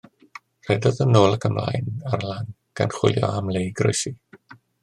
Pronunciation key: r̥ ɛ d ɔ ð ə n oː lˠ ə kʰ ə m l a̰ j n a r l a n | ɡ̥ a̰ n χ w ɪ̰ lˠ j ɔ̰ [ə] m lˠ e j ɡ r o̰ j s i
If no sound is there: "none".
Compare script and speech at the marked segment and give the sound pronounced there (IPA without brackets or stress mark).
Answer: a